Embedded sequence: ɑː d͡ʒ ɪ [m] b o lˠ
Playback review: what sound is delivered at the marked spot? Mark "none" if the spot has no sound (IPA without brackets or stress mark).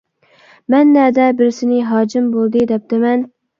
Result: m